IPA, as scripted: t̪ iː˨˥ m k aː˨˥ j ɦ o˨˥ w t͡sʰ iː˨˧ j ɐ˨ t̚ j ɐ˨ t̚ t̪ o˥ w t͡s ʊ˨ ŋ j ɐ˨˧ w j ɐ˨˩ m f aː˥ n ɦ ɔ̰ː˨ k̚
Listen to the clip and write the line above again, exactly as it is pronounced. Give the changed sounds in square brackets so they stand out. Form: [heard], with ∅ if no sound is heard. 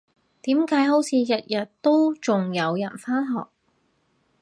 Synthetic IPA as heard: t̪ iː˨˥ m k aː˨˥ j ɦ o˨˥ w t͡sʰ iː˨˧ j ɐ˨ t̚ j ɐ˨ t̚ t̪ o˥ w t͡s ʊ˨ ŋ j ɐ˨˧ w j ɐ˨˩ [n] f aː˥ n ɦ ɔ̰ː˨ k̚